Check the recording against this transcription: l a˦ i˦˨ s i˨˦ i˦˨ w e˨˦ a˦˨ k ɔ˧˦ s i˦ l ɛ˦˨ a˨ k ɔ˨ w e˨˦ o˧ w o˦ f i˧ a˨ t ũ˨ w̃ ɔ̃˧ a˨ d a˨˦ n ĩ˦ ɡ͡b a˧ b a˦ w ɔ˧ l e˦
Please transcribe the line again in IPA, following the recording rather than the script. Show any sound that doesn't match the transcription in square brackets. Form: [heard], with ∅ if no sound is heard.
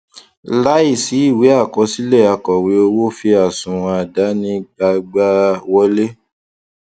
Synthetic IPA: l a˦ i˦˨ s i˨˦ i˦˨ w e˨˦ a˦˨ k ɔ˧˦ s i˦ l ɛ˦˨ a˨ k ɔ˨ w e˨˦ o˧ w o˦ f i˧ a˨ [s] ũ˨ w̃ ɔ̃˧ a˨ d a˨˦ n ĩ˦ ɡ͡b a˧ [ɡ͡b] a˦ w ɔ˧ l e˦